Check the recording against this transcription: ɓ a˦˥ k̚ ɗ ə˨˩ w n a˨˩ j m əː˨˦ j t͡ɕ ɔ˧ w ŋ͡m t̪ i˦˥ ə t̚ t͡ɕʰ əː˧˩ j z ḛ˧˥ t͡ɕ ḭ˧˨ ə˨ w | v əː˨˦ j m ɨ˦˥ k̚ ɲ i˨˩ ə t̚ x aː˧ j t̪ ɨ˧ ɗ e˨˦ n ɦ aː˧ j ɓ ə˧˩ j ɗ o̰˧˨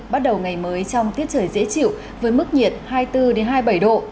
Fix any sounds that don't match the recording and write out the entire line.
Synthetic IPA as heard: ɓ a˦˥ t̚ ɗ ə˨˩ w ŋ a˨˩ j m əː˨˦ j t͡ɕ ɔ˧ w ŋ͡m t̪ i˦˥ ə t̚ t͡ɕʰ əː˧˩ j z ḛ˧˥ t͡ɕ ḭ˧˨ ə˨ w | v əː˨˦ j m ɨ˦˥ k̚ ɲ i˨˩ ə t̚ h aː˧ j t̪ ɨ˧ ɗ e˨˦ n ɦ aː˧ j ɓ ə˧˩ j ɗ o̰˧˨